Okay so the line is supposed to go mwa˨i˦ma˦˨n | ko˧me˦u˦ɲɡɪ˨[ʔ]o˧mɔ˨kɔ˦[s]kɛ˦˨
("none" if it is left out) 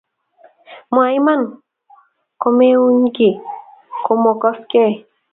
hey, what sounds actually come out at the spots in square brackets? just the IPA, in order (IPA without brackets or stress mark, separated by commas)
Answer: k, s